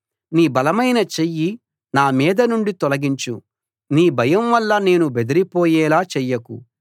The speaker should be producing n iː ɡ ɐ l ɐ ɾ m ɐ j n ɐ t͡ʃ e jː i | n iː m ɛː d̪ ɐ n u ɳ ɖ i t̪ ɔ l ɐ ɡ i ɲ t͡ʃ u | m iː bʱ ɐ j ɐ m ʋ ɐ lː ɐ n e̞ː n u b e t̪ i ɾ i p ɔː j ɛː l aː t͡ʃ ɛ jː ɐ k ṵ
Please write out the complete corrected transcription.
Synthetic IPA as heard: n iː b ɐ l ɐ m ɐ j n ɐ t͡ʃ e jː i | n aː m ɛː d̪ ɐ n u ɳ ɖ i t̪ ɔ l ɐ ɡ i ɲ t͡ʃ u | n iː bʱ ɐ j ɐ m ʋ ɐ lː ɐ n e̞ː n u b e d̪ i ɾ i p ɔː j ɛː l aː t͡ʃ ɛ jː ɐ k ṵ

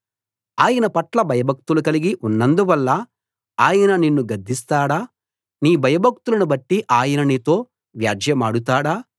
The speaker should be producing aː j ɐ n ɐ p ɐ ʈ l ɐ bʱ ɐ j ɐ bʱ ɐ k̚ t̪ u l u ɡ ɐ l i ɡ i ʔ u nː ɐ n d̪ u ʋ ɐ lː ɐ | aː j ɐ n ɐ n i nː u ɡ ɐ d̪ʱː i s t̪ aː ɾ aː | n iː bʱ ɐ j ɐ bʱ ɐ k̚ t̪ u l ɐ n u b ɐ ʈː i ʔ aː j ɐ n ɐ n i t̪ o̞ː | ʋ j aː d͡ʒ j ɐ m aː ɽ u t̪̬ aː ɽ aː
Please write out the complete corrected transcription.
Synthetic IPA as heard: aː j ɐ n ɐ p ɐ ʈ l ɐ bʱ ɐ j ɐ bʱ ɐ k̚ t̪ u l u k ɐ l i ɡ i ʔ u nː ɐ n d̪ u ʋ ɐ lː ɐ | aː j ɐ n ɐ n i nː u ɡ ɐ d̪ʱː i s t̪ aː ɽ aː | n iː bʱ ɐ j ɐ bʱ ɐ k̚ t̪ u l ɐ n u b ɐ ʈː i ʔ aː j ɐ n ɐ n i t̪ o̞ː | ʋ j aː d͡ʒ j ɐ m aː ɽ u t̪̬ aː ɽ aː

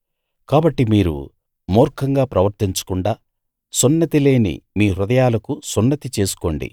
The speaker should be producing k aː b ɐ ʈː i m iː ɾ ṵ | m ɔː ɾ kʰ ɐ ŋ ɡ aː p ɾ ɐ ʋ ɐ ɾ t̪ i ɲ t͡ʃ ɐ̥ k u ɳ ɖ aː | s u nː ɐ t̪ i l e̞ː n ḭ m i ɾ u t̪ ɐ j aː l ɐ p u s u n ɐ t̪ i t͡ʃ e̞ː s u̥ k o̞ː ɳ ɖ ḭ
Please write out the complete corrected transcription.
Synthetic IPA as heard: k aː b ɐ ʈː i m iː ɾ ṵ | m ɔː ɾ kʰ ɐ ŋ ɡ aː p ɾ ɐ ʋ ɐ ɾ t̪ i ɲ t͡ʃ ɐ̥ k u ɳ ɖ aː | s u nː ɐ t̪ i l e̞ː n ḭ m iː ɾ u d̪ ɐ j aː l ɐ k u s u nː ɐ t̪ i t͡ʃ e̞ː s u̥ k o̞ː ɳ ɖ ḭ

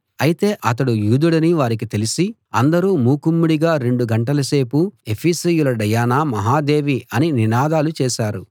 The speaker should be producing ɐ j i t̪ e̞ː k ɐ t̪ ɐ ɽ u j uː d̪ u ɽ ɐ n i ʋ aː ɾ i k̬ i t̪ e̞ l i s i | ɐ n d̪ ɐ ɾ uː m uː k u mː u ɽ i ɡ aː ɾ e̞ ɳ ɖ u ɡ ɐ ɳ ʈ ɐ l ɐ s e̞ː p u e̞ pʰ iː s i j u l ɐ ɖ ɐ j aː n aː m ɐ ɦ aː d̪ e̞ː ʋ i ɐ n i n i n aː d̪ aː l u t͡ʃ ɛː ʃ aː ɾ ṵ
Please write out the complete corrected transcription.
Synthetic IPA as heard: ɐ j i t̪ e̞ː ʔ ɐ t̪ ɐ ɽ u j uː d̪ u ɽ ɐ n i ʋ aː ɾ i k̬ i t̪ e̞ l i s i | ɐ n d̪ ɐ ɾ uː m uː k u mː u ɽ i ɡ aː ɾ e̞ ɳ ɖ u ɡ ɐ ɳ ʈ ɐ l ɐ s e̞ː p u e̞ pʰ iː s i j u l ɐ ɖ ɐ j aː n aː m ɐ ɦ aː d̪ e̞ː ʋ i ɐ n i n i n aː d̪ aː l u t͡ʃ ɛː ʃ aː ɾ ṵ

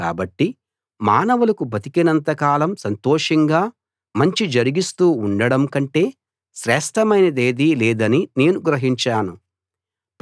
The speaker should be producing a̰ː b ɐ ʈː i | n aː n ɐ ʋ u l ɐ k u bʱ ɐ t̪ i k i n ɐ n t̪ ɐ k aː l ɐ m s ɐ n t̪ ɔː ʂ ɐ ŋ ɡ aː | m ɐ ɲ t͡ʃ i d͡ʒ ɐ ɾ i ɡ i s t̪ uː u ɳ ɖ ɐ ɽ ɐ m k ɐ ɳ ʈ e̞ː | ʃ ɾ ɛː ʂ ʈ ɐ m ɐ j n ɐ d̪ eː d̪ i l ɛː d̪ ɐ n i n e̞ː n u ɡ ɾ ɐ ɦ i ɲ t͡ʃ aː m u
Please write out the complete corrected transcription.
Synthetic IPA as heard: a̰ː b ɐ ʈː i | m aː n ɐ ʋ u l ɐ k u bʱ ɐ t̪ i k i n ɐ n t̪ ɐ k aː l ɐ m s ɐ n t̪ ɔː ʂ ɐ ŋ ɡ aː | m ɐ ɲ t͡ʃ i d͡ʒ ɐ ɾ i ɡ i s t̪ uː u ɳ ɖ ɐ ɽ ɐ m k ɐ ɳ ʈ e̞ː | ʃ ɾ ɛː ʂ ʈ ɐ m ɐ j n ɐ d̪ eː d̪ i l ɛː d̪ ɐ n i n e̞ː n u ɡ ɾ ɐ ɦ i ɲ t͡ʃ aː n u

